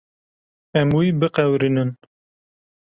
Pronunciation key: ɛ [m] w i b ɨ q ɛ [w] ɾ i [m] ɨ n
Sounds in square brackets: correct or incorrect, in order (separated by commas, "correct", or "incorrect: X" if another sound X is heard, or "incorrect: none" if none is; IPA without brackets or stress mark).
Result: correct, correct, incorrect: n